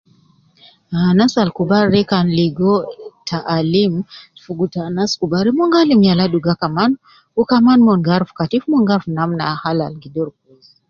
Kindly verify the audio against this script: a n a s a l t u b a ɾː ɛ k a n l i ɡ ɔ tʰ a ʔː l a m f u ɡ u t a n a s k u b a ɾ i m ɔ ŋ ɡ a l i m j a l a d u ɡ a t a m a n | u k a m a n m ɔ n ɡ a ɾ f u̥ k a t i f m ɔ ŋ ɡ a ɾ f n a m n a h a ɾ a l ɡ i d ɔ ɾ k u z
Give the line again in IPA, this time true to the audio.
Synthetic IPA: a n a s a l k u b a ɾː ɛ k a n l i ɡ ɔ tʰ a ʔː l i m f u ɡ u t a n a s k u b a ɾ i m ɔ ŋ ɡ a l i m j a l a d u ɡ a k a m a n | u k a m a n m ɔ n ɡ a ɾ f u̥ k a t i f m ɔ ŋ ɡ a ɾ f n a m n a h a l a l ɡ i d ɔ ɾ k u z